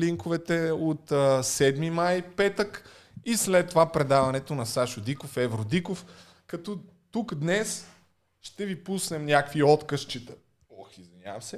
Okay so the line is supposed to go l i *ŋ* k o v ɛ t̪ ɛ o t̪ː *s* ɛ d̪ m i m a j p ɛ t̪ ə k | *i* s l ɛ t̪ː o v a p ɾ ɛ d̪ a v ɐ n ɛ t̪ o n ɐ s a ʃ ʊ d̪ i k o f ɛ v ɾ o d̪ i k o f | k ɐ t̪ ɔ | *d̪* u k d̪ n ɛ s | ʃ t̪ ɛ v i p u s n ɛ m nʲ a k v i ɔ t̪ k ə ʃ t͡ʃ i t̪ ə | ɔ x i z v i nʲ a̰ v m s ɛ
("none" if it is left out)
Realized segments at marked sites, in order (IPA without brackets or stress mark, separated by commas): ŋ, s, i, t̪